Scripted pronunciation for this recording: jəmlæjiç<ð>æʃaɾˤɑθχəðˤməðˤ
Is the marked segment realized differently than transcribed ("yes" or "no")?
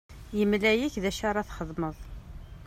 no